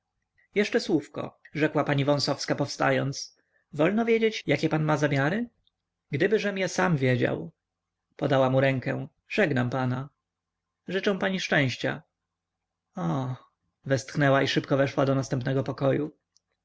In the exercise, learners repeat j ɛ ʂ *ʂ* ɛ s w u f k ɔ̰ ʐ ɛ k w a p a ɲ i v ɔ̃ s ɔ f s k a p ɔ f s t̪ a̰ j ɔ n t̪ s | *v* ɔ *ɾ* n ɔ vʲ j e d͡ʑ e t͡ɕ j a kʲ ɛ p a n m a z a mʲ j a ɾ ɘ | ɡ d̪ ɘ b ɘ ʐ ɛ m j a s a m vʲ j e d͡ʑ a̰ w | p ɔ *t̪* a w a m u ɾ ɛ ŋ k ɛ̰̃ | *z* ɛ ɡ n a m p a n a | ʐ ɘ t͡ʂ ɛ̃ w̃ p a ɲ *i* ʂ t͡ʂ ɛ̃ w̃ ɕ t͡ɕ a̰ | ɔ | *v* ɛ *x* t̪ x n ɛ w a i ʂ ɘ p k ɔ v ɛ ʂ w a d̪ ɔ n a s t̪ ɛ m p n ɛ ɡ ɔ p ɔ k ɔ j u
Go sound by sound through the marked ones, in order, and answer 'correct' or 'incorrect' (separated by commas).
incorrect, correct, incorrect, incorrect, incorrect, correct, correct, incorrect